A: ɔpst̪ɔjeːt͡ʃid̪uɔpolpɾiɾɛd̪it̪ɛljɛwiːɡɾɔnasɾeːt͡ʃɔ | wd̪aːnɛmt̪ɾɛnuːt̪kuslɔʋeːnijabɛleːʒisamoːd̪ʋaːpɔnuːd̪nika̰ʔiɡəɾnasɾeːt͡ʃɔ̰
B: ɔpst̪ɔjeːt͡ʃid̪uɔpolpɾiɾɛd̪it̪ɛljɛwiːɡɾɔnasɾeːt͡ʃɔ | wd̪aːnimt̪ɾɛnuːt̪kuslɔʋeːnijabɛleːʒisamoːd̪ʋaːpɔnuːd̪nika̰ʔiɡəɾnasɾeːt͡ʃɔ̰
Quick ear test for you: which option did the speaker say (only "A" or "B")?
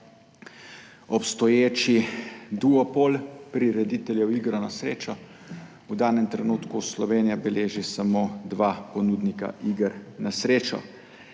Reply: A